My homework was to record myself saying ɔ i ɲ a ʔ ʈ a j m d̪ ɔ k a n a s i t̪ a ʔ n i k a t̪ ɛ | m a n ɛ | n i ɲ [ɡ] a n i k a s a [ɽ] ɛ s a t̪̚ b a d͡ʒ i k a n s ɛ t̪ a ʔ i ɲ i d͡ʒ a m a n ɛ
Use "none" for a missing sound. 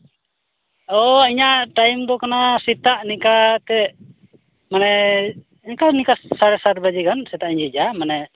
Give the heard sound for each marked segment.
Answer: k, ɾ

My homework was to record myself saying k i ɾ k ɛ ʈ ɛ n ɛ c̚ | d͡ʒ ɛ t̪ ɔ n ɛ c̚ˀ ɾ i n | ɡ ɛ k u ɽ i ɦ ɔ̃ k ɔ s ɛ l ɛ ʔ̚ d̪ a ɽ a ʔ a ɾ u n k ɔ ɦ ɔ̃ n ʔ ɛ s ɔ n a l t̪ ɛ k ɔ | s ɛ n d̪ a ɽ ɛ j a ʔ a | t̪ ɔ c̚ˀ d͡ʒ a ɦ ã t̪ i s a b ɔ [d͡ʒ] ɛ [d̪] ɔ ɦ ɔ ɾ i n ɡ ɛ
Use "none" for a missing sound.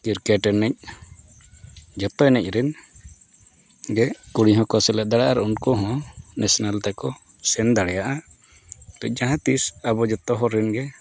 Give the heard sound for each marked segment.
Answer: d͡ʒ, t̪

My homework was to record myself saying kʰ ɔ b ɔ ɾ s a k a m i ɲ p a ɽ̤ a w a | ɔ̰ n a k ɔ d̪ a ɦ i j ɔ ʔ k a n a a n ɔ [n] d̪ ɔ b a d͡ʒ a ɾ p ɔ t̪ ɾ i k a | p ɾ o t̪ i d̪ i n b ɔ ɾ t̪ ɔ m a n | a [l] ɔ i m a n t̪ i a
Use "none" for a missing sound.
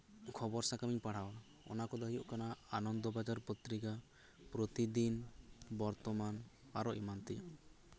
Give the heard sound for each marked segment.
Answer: n, ɾ

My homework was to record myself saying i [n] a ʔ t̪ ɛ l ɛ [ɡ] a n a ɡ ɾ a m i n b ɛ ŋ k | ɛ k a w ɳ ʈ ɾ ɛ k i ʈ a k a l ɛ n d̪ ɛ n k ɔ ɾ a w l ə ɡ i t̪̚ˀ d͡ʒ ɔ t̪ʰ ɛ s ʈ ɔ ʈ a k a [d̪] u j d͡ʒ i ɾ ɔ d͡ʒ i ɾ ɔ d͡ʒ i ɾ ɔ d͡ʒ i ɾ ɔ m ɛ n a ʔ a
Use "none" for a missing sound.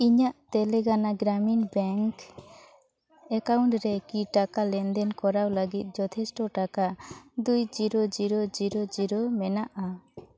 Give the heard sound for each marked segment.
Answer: ɲ, ɡ, d̪

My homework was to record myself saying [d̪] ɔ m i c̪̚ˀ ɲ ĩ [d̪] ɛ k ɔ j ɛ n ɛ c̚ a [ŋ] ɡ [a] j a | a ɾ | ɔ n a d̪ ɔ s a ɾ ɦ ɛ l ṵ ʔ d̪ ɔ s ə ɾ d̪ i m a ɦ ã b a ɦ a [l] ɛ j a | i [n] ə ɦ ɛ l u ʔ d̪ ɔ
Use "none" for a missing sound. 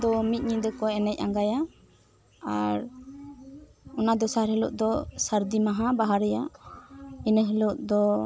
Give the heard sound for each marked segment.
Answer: d̪, d̪, ŋ, a, ɾ, n

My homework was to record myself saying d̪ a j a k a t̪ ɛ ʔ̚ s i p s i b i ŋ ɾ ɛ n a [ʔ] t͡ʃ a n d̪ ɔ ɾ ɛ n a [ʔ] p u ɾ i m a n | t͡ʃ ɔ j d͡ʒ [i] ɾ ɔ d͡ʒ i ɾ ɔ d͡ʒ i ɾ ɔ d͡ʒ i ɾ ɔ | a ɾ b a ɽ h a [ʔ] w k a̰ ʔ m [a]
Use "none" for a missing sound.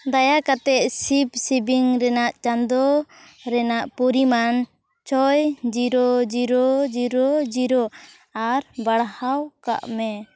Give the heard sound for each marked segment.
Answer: ʔ, ʔ, i, none, ɛ

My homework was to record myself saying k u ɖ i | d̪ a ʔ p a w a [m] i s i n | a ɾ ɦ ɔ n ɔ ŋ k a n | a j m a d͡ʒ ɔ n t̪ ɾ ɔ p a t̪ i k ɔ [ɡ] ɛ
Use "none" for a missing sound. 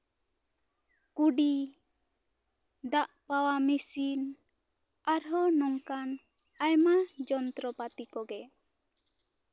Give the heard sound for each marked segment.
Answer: m, ɡ

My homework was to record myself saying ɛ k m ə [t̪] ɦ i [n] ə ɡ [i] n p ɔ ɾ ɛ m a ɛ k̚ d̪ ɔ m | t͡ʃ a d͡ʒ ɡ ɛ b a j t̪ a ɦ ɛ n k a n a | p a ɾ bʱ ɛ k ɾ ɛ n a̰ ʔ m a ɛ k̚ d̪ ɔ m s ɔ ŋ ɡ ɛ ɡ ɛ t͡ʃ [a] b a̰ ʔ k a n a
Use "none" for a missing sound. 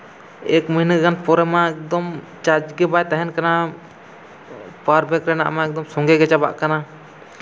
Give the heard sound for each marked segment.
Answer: none, n, a, a

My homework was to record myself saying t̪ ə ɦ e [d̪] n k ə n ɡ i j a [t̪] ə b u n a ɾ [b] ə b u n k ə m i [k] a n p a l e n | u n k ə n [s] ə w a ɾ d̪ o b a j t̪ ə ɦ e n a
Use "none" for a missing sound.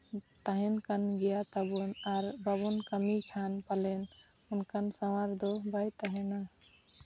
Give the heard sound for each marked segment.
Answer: none, t̪, b, kʰ, s

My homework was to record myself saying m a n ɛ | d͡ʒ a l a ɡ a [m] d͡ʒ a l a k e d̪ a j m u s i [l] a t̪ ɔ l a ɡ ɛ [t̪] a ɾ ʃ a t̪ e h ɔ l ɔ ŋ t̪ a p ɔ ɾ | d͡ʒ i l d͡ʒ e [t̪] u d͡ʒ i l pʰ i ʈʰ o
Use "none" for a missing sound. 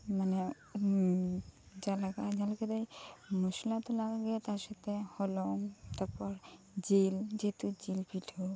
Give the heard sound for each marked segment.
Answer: none, l, t̪, t̪

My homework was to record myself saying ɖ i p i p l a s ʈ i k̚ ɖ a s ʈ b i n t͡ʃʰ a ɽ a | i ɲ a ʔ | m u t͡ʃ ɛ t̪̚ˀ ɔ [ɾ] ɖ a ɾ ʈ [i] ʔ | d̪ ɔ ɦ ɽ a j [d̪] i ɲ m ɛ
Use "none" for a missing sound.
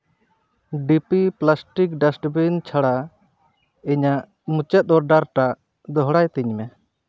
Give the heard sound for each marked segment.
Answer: ɾ, a, t̪

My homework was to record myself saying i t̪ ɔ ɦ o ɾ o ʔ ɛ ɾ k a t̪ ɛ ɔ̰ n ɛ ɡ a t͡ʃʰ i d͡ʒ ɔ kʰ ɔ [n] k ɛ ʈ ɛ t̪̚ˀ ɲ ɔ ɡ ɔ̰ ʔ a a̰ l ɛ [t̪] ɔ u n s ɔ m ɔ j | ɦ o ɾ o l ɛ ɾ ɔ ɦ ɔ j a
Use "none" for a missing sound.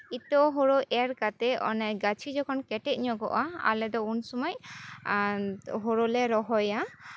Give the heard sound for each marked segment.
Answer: n, d̪

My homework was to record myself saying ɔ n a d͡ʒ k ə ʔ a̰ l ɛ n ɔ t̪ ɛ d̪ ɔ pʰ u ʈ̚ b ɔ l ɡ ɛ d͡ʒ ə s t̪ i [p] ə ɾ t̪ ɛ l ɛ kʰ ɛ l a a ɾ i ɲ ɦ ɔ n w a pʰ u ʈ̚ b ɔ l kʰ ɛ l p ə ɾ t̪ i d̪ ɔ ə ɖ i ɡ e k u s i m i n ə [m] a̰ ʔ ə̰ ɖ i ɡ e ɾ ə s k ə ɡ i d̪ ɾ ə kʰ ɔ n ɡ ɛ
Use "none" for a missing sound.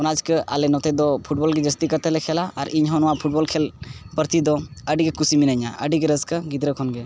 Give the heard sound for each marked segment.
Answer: k, ɲ

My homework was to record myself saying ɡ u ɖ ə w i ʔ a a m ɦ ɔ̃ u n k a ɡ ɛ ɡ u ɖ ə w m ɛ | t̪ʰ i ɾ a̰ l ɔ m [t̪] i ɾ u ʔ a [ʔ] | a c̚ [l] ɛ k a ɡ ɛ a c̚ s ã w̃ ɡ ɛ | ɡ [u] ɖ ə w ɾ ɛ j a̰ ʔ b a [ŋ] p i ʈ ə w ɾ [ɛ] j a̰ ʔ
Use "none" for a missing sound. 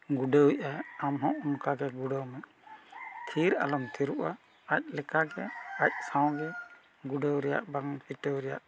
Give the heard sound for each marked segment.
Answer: t̪ʰ, none, l, u, ŋ, ɛ

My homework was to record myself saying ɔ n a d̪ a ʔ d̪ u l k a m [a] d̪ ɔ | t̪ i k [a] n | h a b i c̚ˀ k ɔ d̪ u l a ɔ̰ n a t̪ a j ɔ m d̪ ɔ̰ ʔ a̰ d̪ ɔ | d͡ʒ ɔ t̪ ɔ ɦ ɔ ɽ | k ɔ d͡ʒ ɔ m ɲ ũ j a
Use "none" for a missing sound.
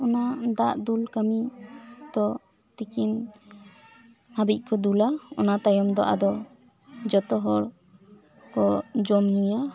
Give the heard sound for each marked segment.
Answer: i, i

